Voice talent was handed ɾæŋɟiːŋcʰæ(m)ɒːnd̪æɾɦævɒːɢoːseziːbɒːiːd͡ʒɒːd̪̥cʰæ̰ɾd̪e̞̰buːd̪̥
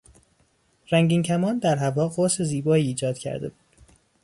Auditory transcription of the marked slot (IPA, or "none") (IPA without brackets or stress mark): m